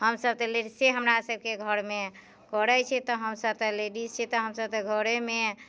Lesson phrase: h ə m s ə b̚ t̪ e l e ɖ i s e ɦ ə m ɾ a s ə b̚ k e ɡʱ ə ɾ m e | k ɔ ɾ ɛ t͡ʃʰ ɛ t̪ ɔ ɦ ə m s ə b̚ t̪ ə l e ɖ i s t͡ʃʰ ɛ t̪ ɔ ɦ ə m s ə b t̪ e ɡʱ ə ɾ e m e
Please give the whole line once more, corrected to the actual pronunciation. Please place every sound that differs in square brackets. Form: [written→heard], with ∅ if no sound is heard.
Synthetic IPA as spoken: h ə m s ə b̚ t̪ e l e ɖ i s e ɦ ə m ɾ a s ə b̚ k e ɡʱ ə ɾ m e | k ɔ ɾ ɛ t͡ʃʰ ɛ t̪ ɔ ɦ ə m s ə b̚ t̪ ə l e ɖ i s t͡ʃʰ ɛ t̪ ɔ ɦ ə m s ə b t̪ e ɡʱ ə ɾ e m e